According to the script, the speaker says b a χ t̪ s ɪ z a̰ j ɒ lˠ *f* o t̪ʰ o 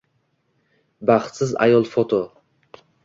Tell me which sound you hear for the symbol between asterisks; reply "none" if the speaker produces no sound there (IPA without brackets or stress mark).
f